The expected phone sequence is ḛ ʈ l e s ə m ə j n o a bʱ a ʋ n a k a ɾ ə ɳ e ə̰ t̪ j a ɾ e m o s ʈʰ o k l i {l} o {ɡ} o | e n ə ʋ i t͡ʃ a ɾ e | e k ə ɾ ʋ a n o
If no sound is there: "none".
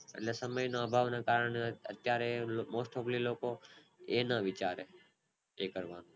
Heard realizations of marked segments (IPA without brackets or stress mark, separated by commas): l, k